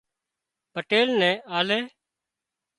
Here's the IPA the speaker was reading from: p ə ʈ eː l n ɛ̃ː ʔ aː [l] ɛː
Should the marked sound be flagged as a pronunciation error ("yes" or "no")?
no